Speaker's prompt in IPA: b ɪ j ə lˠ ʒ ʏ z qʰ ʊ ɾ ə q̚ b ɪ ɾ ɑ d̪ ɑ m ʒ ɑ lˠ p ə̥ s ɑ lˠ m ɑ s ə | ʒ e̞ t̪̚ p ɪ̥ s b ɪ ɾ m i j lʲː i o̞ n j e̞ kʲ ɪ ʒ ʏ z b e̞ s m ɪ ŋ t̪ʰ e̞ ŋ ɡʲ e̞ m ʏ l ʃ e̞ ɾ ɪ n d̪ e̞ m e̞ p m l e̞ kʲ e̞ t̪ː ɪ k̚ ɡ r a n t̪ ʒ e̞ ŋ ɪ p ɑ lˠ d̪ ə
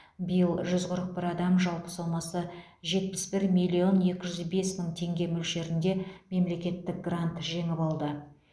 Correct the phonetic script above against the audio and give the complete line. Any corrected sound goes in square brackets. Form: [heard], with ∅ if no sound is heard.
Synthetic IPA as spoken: b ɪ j ə lˠ ʒ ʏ z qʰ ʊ ɾ ə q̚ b ɪ ɾ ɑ d̪ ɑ m ʒ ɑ lˠ p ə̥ s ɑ lˠ m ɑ s ə | ʒ e̞ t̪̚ p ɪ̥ s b ɪ ɾ m i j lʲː i o̞ n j e̞ kʲ ɪ ʒ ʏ z b e̞ s m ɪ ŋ t̪ʰ e̞ ŋ ɡʲ e̞ m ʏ l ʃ e̞ ɾ ɪ n d̪ e̞ m e̞ [∅] m l e̞ kʲ e̞ t̪ː ɪ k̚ ɡ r a n t̪ ʒ e̞ ŋ ɪ p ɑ lˠ d̪ ə

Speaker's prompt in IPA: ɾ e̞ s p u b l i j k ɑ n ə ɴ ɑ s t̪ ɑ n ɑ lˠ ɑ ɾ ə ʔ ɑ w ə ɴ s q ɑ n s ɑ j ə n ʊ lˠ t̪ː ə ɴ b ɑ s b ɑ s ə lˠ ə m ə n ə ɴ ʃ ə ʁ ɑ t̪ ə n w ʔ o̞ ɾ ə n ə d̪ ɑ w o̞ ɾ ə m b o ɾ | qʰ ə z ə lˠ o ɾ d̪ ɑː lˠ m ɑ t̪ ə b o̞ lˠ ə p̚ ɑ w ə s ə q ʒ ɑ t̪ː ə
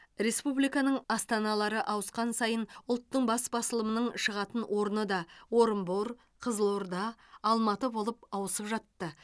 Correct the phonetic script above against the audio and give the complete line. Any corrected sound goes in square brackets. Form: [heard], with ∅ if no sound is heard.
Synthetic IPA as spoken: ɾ e̞ s p u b l i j k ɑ n ə ɴ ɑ s t̪ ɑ n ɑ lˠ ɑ ɾ ə ʔ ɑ w ə [∅] s q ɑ n s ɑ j ə n ʊ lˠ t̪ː ə ɴ b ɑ s b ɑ s ə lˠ ə m ə n ə ɴ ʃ ə ʁ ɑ t̪ ə n w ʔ o̞ ɾ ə n ə d̪ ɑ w o̞ ɾ ə m b o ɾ | qʰ ə z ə lˠ o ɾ d̪ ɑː lˠ m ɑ t̪ ə b o̞ lˠ ə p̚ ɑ w ə s ə [p] ʒ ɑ t̪ː ə

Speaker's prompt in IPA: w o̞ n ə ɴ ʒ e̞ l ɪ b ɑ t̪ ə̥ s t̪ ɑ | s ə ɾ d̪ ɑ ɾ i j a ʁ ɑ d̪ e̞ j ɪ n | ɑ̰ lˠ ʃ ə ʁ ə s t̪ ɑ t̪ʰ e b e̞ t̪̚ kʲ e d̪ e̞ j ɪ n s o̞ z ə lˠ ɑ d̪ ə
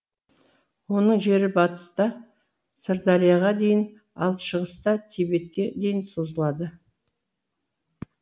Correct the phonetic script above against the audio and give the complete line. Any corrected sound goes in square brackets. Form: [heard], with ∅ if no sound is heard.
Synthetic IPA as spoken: w o̞ n ə ɴ ʒ e̞ [ɾ] ɪ b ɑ t̪ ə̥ s t̪ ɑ | s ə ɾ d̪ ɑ ɾ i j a ʁ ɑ d̪ e̞ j ɪ n | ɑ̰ lˠ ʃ ə ʁ ə s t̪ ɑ t̪ʰ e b e̞ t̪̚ kʲ e d̪ e̞ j ɪ n s o̞ z ə lˠ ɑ d̪ ə

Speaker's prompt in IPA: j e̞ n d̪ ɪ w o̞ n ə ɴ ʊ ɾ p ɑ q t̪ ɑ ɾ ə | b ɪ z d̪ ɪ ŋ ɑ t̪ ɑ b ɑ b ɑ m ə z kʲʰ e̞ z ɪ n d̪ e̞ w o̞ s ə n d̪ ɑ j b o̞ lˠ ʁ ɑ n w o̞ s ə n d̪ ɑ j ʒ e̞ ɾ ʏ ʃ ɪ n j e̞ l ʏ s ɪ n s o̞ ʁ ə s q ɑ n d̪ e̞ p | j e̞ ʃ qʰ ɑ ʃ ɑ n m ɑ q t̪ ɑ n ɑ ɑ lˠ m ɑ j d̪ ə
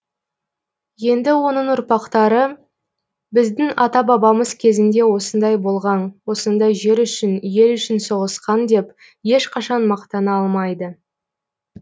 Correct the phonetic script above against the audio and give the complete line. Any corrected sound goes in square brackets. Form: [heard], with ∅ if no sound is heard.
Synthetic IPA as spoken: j e̞ n d̪ ɪ w o̞ n ə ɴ ʊ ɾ p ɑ q t̪ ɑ ɾ ə | b ɪ z d̪ ɪ ŋ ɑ t̪ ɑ b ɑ b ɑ m ə z kʲʰ e̞ z ɪ n d̪ e̞ w o̞ s ə n d̪ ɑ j b o̞ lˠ ʁ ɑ n w o̞ s ə n d̪ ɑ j ʒ e̞ ɾ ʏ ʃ ɪ n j e̞ l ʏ [ʃ] ɪ n s o̞ ʁ ə s q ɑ n d̪ e̞ p | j e̞ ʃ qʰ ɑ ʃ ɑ n m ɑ q t̪ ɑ n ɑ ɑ lˠ m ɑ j d̪ ə

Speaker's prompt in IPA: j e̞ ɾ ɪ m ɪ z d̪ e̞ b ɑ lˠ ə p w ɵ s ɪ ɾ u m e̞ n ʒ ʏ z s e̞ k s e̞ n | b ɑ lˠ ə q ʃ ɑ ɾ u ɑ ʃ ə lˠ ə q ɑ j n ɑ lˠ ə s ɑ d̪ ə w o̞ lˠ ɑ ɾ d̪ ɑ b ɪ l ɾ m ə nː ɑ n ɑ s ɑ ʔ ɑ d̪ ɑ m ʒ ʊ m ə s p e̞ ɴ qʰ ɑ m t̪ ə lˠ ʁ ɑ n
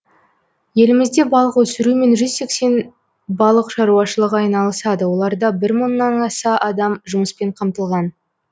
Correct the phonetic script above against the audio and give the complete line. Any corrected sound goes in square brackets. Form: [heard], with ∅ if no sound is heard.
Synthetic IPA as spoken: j e̞ [l] ɪ m ɪ z d̪ e̞ b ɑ lˠ ə [q] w ɵ s ɪ ɾ u m e̞ n ʒ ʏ z s e̞ k s e̞ n | b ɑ lˠ ə q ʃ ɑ ɾ u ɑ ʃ ə lˠ ə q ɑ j n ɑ lˠ ə s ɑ d̪ ə w o̞ lˠ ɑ ɾ d̪ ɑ b ɪ [∅] ɾ m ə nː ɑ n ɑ s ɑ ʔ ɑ d̪ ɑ m ʒ ʊ m ə s p e̞ ɴ qʰ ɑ m t̪ ə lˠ ʁ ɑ n

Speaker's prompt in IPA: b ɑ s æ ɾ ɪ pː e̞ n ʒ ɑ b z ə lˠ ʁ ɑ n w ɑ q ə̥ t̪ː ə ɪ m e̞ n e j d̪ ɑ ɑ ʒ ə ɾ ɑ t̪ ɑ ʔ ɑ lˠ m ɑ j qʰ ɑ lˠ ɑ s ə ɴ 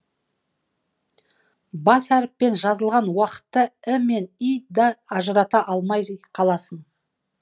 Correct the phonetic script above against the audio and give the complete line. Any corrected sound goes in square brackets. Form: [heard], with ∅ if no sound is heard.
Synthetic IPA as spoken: b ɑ s æ ɾ ɪ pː e̞ n ʒ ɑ [∅] z ə lˠ ʁ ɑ n w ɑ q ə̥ t̪ː ə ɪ m e̞ n [i] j d̪ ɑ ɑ ʒ ə ɾ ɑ t̪ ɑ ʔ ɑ lˠ m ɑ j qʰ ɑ lˠ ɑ s ə ɴ

